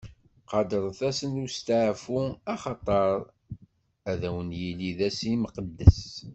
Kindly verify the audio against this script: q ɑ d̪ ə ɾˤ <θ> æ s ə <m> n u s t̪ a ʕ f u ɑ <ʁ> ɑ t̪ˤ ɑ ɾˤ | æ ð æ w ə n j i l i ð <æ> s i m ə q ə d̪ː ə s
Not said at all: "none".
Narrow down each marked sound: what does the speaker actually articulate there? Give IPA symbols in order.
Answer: θ, none, χ, æ

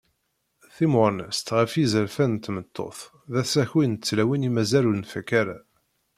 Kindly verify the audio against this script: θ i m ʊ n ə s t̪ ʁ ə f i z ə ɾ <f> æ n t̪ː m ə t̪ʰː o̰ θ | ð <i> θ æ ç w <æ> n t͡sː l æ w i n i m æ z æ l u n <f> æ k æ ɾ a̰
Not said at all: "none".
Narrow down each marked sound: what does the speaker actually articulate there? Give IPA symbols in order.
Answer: f, æ, i, f

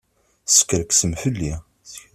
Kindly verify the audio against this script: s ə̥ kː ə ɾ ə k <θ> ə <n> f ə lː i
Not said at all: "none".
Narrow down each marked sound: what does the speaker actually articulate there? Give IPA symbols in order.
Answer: s, m

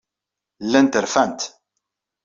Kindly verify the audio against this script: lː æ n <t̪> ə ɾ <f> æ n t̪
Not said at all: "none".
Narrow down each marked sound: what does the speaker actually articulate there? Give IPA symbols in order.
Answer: t̪, f

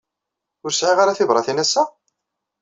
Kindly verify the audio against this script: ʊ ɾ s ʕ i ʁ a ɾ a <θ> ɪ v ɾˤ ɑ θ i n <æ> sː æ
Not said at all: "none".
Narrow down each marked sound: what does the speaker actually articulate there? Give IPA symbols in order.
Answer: θ, æ

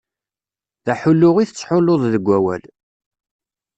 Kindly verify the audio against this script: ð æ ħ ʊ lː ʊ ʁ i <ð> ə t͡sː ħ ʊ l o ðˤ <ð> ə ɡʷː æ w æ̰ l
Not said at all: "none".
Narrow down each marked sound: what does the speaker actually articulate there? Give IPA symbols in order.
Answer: θ, ð

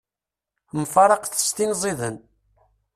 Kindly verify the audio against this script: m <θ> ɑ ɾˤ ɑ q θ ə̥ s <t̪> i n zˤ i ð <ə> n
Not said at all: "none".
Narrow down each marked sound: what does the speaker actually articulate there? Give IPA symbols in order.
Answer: f, t̪, ə

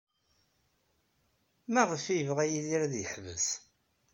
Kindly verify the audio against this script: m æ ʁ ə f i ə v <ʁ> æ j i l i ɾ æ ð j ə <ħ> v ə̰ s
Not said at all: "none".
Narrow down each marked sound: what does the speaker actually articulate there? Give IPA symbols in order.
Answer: ʁ, ħ

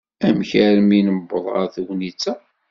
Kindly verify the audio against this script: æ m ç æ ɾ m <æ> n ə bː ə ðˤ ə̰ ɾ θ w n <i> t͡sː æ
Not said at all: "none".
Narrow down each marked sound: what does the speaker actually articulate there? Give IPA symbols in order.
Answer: i, i

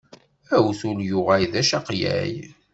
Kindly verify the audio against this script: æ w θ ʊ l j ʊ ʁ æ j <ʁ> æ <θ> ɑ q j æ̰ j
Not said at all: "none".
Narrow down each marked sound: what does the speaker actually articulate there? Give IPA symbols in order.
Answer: ð, ʃ

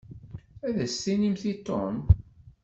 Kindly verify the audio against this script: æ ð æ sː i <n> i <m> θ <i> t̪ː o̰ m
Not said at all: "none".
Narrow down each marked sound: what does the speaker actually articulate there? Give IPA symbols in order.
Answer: n, m, i

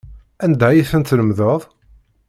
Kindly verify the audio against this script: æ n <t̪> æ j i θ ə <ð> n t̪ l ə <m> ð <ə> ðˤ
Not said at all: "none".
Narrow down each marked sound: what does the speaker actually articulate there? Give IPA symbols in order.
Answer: d̪, none, m, ə

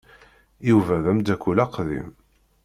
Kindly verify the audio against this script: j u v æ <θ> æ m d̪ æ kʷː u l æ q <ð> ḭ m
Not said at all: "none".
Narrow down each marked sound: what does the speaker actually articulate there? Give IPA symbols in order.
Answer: ð, ð

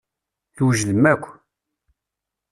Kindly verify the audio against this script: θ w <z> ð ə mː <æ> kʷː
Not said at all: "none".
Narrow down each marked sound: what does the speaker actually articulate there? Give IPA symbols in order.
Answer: ʒ, æ

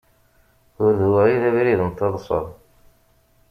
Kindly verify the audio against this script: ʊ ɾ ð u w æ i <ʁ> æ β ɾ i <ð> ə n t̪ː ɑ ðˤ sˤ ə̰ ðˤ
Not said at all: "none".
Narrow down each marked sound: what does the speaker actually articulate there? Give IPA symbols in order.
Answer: ð, ð

